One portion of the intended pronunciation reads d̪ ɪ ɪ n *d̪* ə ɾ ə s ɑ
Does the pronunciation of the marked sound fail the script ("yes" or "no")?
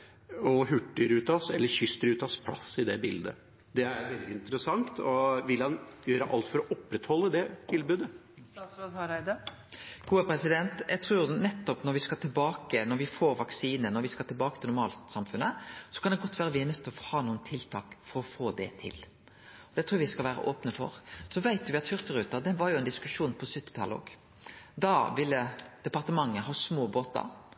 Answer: yes